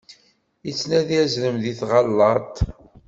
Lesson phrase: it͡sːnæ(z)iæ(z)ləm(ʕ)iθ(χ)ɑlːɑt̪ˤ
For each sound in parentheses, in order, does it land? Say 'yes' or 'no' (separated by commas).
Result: no, yes, no, no